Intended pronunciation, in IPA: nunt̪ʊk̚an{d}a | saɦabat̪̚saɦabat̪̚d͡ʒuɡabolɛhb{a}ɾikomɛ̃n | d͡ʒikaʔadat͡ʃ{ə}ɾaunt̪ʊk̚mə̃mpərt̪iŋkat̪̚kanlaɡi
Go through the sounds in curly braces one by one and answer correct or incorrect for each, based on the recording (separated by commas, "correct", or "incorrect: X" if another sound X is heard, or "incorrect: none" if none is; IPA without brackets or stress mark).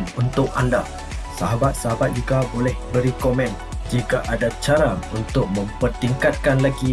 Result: correct, incorrect: ə, incorrect: a